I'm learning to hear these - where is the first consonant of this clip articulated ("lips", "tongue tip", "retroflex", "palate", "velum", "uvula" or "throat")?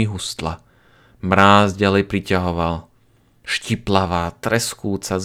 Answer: throat